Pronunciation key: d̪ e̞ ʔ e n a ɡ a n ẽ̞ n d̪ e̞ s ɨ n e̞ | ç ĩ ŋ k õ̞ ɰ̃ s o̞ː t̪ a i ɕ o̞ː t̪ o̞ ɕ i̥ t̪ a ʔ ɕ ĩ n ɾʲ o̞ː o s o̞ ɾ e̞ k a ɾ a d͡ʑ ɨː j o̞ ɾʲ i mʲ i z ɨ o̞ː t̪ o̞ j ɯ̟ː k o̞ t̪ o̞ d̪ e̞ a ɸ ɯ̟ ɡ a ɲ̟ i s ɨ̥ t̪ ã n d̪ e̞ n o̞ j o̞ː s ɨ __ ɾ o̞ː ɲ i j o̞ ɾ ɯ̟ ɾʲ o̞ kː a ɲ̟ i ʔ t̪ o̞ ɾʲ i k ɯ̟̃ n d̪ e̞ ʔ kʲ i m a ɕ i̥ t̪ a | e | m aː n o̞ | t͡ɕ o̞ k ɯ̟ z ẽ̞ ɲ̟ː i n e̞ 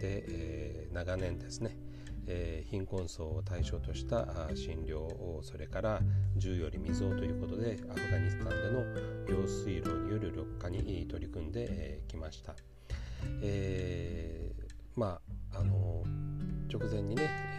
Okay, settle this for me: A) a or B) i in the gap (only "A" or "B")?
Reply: B